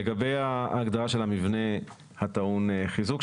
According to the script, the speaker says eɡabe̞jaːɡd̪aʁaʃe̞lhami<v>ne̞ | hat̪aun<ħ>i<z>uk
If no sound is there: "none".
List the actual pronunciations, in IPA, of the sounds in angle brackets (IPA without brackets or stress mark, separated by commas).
v, χ, z